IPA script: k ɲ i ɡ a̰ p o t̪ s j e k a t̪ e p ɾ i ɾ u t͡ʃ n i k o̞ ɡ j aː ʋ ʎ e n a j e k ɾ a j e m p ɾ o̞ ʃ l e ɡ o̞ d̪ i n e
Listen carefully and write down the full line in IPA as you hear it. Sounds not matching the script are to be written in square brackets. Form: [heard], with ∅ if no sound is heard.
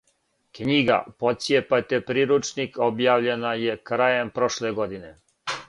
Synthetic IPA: k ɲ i ɡ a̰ p o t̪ s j e [p] a t̪ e p ɾ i ɾ u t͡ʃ n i k o̞ [b] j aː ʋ ʎ e n a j e k ɾ a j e m p ɾ o̞ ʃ l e ɡ o̞ d̪ i n e